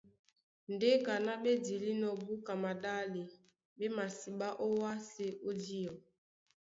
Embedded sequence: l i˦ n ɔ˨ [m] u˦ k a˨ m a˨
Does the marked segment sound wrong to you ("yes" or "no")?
yes